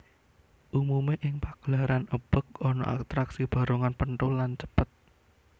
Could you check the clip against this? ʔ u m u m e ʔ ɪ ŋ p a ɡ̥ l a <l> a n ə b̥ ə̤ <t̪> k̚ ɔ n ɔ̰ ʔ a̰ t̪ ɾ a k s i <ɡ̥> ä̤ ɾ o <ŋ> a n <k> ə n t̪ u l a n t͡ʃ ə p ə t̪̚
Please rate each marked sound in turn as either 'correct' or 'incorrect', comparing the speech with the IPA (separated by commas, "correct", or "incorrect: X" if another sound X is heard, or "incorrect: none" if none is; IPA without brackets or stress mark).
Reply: incorrect: ɾ, incorrect: none, incorrect: b̥, correct, incorrect: p